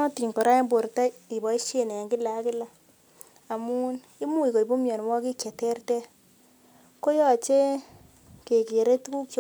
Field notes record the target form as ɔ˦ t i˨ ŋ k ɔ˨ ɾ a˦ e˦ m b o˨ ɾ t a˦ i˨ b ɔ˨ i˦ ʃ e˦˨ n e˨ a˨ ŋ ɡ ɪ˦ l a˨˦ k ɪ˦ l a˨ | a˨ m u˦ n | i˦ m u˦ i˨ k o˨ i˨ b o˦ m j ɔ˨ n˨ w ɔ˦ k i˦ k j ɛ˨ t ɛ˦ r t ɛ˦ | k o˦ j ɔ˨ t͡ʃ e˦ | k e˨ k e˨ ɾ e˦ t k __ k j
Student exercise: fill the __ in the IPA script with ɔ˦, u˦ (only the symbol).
u˦